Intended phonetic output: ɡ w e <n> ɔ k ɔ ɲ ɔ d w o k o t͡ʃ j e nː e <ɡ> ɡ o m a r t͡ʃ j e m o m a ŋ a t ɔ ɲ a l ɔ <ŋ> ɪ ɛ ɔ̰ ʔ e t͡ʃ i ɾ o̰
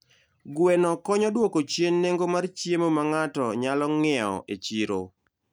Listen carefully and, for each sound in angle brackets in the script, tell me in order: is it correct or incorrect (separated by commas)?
correct, incorrect, correct